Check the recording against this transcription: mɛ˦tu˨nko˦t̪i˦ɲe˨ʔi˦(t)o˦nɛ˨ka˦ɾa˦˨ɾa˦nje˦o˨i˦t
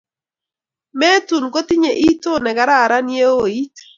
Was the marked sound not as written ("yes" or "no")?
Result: no